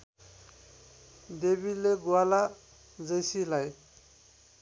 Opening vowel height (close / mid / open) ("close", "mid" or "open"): mid